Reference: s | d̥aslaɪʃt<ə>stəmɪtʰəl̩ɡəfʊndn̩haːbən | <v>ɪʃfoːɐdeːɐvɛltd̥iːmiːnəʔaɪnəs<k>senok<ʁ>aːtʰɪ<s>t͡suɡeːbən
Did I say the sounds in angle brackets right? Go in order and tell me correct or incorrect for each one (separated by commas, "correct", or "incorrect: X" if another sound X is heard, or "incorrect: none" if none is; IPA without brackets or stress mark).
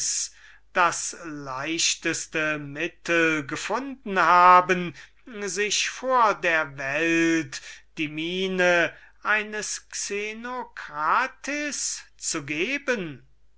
correct, incorrect: z, correct, correct, correct